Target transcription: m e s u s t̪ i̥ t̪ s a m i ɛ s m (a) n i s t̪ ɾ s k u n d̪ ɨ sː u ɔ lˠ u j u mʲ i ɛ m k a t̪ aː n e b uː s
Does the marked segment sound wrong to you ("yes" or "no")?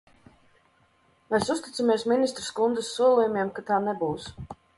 yes